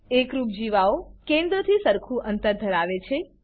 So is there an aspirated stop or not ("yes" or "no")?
yes